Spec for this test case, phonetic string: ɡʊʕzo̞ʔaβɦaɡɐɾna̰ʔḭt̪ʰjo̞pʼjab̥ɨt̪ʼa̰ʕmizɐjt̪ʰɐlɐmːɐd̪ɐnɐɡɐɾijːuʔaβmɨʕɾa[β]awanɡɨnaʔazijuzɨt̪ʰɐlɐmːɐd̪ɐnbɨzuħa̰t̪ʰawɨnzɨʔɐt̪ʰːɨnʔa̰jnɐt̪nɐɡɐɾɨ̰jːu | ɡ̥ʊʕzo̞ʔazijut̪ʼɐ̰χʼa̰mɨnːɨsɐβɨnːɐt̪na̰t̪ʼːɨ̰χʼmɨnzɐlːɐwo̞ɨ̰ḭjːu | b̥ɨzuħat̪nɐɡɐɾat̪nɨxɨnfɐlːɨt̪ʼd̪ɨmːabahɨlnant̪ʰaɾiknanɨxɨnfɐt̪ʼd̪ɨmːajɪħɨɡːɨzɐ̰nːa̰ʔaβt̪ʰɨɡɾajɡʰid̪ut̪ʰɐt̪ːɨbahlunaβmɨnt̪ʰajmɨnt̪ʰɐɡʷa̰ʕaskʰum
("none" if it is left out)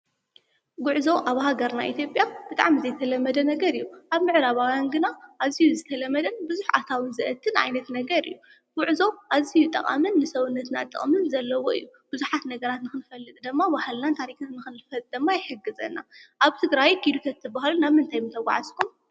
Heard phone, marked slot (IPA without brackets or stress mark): β